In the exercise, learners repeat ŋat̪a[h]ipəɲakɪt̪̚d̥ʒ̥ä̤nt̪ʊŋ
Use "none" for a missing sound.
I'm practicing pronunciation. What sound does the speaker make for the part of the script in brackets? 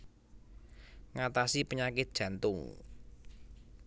s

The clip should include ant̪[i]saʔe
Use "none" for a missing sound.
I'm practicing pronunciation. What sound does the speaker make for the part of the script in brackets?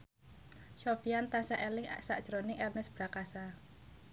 a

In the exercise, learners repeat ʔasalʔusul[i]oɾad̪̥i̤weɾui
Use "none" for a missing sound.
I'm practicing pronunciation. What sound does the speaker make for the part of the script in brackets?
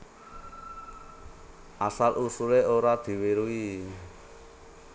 e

